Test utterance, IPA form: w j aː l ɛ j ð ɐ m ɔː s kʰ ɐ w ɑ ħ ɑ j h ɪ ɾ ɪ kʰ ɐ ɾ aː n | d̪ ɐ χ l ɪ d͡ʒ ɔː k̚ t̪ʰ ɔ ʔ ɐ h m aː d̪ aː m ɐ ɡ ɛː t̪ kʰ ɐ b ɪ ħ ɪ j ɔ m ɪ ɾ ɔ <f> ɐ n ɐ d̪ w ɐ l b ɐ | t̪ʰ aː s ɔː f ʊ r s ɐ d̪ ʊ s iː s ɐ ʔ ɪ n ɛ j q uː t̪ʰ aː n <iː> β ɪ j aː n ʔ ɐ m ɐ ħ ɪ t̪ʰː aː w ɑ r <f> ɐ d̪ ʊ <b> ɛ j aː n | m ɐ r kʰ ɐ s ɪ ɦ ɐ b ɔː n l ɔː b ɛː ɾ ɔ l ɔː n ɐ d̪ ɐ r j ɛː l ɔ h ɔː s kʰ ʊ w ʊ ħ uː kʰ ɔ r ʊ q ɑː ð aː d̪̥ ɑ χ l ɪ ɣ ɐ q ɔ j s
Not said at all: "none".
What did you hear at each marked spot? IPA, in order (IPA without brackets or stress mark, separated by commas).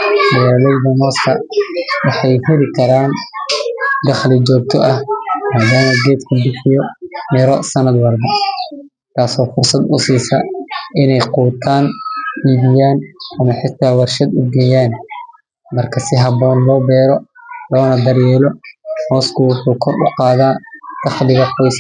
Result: s, iː, ʃ, ɡ